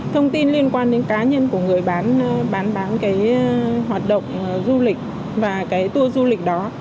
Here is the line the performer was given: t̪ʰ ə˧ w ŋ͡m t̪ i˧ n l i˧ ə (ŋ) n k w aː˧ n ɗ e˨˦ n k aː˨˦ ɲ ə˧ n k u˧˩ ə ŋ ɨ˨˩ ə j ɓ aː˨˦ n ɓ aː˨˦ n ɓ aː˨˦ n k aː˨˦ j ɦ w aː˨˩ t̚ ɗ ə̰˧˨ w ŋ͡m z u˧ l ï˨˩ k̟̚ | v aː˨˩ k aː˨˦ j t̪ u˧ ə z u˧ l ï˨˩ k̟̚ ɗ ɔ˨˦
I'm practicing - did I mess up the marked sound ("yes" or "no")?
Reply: yes